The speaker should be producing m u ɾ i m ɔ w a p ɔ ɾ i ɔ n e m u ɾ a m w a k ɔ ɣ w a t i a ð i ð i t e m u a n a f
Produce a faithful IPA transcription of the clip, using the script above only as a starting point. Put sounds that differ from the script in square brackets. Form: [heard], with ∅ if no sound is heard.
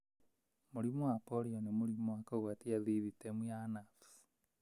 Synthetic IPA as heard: m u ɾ i m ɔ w a p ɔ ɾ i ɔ n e m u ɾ [i] m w a k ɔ ɣ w a t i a ð i ð i t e m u a n a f